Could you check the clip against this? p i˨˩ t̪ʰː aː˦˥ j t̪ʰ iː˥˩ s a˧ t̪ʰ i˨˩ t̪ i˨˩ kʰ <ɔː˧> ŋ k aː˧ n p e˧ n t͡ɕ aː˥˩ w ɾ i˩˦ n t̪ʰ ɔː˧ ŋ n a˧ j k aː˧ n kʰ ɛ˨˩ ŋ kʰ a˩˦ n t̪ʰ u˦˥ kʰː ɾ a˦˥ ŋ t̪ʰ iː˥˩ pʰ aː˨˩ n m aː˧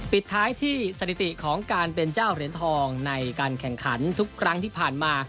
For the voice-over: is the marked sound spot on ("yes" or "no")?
no